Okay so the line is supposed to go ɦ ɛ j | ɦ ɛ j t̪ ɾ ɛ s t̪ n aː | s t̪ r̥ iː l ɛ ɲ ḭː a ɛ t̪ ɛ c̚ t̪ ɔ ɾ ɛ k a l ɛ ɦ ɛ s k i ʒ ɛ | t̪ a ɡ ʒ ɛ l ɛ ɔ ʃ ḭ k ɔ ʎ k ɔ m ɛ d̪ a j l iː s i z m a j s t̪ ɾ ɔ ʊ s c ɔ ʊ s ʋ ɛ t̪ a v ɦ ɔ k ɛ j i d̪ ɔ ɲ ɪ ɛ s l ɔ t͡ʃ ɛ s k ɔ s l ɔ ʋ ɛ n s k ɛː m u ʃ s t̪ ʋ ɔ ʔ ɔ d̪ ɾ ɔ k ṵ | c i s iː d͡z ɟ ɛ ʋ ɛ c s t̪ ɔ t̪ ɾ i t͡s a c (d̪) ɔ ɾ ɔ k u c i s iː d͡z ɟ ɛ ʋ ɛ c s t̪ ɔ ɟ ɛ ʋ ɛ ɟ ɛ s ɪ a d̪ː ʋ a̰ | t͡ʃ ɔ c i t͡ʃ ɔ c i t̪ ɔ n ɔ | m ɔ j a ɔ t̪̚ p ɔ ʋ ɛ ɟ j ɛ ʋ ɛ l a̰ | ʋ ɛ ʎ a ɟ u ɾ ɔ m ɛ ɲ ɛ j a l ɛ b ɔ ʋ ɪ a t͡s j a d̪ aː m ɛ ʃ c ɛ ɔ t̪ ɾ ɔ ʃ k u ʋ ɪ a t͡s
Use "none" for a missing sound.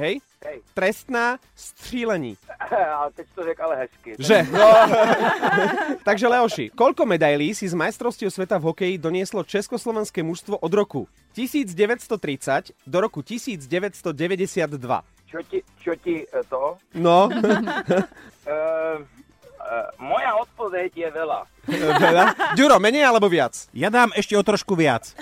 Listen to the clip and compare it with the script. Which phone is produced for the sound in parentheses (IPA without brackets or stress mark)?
d̪